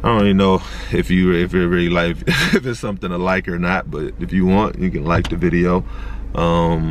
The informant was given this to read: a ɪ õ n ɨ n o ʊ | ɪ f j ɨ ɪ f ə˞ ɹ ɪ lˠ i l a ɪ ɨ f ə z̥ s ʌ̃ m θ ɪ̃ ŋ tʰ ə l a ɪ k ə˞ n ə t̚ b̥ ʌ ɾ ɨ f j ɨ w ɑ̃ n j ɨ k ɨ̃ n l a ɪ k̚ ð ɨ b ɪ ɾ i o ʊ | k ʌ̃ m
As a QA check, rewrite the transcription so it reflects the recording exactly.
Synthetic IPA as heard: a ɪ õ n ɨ n o ʊ | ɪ f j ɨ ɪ f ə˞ ɹ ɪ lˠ i l a ɪ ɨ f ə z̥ s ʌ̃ m θ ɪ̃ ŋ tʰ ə l a ɪ k ə˞ n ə t̚ b̥ ʌ ɾ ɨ f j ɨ w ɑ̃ n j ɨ k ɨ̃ n l a ɪ k̚ ð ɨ v ɪ ɾ i o ʊ | ʔ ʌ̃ m